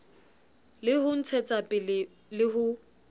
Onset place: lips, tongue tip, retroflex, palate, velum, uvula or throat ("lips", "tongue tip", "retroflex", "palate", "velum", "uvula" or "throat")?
tongue tip